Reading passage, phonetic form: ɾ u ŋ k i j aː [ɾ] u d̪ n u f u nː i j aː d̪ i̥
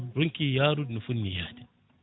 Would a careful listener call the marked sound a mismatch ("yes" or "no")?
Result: no